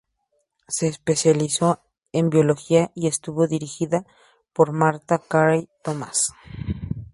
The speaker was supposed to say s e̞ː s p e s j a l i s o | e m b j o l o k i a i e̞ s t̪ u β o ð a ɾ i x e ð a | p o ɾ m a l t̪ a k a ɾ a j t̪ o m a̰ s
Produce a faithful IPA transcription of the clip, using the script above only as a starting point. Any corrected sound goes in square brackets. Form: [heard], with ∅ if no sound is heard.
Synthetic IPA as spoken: s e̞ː s p e s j a l i s o | e m b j o l o [x] i a i e̞ s t̪ u β o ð [i] ɾ i x [i] ð a | p o ɾ m a [ɾ] t̪ a k a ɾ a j t̪ o m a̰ s